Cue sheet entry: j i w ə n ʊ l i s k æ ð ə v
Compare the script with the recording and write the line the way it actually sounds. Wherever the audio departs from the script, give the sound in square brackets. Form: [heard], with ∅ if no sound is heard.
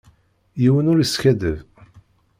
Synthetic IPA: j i w ə n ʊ [ɾ] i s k æ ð ə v